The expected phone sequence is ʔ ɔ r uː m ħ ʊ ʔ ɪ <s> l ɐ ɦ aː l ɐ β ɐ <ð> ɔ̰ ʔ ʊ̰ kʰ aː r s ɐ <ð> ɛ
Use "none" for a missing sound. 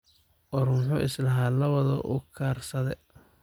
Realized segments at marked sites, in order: s, ð, ð

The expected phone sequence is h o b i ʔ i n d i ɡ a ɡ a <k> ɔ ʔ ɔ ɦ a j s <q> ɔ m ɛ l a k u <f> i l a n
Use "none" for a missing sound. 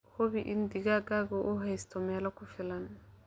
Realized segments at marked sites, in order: ɡ, t, f

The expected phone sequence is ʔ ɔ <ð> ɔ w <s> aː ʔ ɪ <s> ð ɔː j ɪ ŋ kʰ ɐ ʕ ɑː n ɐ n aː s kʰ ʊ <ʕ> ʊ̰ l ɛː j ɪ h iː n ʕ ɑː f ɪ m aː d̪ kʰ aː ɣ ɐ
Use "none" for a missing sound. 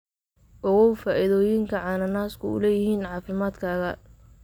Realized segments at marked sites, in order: ɣ, f, none, none

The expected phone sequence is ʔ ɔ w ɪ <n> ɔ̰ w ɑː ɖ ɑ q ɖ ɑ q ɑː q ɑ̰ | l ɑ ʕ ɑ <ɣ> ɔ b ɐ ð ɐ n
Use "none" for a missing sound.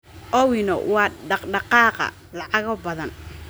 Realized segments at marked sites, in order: n, ɣ

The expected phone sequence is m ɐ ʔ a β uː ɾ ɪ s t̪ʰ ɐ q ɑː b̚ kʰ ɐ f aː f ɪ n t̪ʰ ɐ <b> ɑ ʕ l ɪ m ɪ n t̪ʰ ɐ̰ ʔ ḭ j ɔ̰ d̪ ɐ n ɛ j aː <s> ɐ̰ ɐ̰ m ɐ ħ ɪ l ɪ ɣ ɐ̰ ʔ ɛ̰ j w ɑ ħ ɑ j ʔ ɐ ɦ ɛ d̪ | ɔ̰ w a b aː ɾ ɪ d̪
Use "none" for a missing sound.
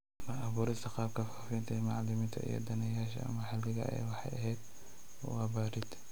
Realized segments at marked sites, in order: m, ʃ

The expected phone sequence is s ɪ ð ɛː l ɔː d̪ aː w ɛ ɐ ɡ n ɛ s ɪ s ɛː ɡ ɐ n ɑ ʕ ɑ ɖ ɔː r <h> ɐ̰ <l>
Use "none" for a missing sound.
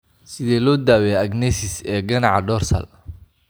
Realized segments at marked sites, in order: s, l

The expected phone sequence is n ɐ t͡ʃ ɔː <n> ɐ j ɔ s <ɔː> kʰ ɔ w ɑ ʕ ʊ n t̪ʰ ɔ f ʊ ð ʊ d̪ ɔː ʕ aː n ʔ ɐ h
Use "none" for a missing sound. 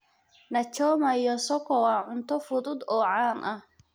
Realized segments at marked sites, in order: m, ɔ

